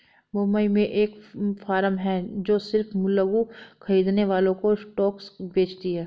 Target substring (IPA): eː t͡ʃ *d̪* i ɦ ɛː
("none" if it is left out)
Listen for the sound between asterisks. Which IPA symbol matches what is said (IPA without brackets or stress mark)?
t̪